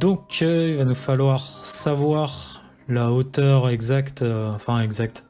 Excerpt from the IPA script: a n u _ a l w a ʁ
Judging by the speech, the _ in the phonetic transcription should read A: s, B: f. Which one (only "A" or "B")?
B